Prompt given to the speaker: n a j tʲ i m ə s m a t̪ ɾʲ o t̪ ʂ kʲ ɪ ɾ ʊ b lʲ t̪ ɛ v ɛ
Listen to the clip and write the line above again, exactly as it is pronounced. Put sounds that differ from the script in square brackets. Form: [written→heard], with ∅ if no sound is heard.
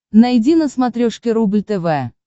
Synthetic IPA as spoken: n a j [tʲ→dʲ] i [m→n] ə s m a t̪ ɾʲ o [t̪→∅] ʂ kʲ ɪ ɾ [ʊ→u] b lʲ t̪ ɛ v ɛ